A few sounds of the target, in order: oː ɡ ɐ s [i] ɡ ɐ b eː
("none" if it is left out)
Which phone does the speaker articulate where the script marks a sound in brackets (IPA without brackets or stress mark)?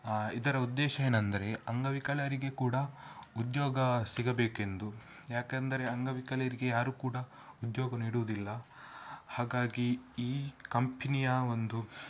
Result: i